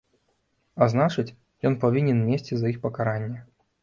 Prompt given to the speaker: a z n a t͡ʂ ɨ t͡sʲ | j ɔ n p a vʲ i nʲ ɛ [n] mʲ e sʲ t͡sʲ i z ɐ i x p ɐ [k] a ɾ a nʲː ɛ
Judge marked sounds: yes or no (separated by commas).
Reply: yes, yes